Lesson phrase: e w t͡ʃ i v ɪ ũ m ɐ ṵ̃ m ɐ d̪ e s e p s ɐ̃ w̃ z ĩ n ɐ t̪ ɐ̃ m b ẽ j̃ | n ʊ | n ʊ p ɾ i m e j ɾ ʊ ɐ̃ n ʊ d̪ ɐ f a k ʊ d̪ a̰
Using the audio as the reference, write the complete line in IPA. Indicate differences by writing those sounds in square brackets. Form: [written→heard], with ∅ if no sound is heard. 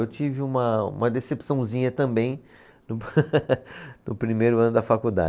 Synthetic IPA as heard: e w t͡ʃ i v ɪ ũ m ɐ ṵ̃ m ɐ d̪ e s e p s ɐ̃ w̃ z ĩ [n→ɲ] ɐ t̪ ɐ̃ m b ẽ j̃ | n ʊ | n ʊ p ɾ i m e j ɾ ʊ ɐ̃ n ʊ d̪ ɐ f a k [ʊ→u] d̪ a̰